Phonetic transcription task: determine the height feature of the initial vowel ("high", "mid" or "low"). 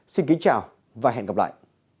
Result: high